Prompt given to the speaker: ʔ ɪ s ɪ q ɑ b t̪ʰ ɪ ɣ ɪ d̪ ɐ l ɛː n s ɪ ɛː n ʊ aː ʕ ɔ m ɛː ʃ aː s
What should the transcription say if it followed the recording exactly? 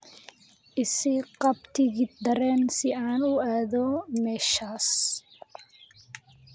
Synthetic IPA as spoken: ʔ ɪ s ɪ q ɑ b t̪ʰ ɪ ɣ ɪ d̪ ɐ ɾ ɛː n s ɪ aː n ʊ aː ð ɔ m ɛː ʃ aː s